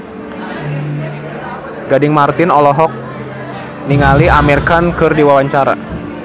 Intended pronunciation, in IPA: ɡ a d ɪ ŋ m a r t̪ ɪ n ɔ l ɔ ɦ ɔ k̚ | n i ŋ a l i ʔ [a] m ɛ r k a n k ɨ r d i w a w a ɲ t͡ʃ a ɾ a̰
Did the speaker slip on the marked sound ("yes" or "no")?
no